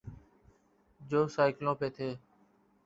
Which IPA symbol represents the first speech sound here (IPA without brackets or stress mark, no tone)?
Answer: d͡ʒ